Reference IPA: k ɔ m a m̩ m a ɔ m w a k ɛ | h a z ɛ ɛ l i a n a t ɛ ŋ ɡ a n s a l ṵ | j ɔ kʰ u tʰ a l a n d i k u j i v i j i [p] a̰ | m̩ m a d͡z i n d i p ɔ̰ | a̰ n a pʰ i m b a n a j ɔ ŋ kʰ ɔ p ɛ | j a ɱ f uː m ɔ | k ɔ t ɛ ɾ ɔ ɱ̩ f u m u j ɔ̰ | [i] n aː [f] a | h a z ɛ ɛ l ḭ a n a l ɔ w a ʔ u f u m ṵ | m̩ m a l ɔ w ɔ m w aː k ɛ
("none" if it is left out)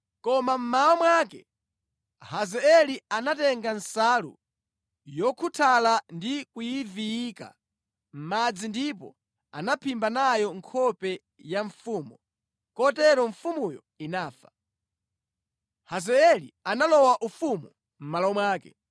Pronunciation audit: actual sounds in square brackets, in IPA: k, i, f

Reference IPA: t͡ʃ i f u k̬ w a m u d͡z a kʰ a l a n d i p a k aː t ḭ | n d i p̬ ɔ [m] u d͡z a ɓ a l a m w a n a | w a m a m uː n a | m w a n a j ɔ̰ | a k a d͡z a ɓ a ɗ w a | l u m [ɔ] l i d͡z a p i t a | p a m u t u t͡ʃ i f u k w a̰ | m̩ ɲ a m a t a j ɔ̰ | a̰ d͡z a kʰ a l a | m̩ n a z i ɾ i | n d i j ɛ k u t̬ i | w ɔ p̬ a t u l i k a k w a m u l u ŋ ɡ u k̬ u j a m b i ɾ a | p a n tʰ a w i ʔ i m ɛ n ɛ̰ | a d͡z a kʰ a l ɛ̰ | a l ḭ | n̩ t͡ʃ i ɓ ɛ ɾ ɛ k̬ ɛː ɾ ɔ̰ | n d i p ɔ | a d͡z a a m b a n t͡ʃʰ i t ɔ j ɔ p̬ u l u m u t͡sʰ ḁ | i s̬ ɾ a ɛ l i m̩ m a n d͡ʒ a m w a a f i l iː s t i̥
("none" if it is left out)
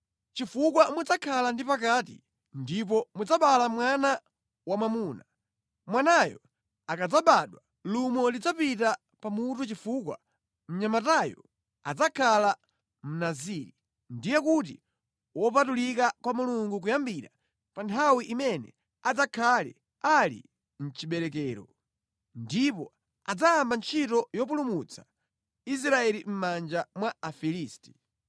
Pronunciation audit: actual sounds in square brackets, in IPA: m, ɔ

